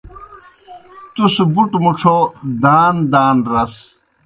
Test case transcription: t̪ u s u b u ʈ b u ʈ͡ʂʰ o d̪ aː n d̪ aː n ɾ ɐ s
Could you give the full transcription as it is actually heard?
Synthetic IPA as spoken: t̪ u s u b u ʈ m u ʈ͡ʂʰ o d̪ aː n d̪ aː n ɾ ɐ s